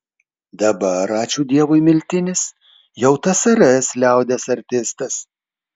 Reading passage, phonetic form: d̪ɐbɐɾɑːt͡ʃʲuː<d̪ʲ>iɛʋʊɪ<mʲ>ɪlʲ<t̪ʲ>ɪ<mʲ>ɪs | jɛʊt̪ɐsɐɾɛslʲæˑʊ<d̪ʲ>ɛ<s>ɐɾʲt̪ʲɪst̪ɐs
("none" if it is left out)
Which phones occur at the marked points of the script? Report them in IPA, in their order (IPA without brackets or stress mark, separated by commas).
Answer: d̪ʲ, mʲ, t̪ʲ, nʲ, d̪ʲ, s